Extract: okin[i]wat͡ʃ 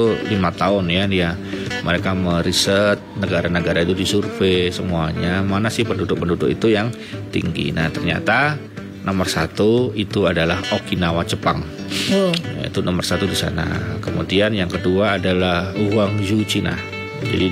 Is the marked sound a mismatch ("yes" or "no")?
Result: yes